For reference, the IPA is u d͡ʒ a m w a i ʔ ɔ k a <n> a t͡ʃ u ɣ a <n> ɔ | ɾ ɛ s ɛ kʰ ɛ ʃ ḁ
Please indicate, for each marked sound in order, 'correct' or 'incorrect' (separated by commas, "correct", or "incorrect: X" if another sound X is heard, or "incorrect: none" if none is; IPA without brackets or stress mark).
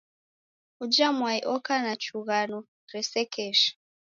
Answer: correct, correct